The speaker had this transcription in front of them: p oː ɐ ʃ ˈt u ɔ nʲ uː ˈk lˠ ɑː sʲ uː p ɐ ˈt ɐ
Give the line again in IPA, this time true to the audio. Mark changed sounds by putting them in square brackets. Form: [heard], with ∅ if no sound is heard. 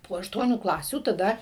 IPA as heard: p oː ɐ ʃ ˈt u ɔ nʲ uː ˈk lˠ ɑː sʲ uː [t] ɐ [ˈd] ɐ